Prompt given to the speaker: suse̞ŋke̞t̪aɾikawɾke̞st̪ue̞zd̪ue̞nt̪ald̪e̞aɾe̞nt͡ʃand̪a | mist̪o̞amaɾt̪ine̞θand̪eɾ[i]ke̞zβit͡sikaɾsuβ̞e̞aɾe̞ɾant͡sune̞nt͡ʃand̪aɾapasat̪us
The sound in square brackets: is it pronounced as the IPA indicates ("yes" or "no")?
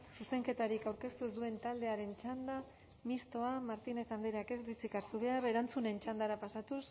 no